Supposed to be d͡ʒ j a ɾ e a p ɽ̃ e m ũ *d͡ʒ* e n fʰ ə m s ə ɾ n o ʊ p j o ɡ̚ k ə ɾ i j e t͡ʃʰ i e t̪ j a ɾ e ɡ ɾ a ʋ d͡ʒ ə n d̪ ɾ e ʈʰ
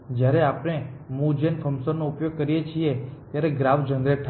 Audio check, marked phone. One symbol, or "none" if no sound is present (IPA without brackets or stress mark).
d͡ʒ